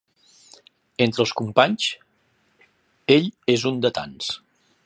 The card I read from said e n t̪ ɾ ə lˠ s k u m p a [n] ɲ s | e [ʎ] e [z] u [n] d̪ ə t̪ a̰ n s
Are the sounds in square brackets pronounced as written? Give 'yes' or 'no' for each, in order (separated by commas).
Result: no, yes, yes, yes